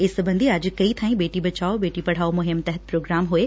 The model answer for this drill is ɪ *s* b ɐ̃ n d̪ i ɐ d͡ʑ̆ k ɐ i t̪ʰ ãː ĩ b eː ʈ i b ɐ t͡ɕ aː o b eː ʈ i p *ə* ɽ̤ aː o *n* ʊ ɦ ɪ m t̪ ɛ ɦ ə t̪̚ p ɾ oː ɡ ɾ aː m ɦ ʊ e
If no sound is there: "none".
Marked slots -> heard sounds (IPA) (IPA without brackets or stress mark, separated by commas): s, ɐ, m